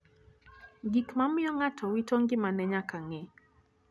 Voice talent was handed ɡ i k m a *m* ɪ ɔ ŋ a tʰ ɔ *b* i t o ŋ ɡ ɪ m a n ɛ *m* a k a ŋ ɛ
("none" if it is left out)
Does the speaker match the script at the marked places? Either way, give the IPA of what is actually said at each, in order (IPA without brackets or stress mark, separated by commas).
m, w, ɲ